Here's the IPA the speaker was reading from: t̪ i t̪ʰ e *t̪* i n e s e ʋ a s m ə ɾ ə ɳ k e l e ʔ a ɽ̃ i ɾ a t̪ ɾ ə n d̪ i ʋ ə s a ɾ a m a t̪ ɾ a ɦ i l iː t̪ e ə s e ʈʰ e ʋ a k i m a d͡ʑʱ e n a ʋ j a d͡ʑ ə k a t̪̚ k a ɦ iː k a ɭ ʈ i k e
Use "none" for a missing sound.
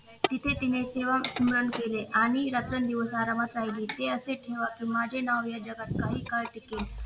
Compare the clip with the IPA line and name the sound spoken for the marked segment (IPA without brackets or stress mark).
t̪